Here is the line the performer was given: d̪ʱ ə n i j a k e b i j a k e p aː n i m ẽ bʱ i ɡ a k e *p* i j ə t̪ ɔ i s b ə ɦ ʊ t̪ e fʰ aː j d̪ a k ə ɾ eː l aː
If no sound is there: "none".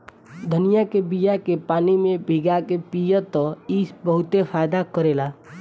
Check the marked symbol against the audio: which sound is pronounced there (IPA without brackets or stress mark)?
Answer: p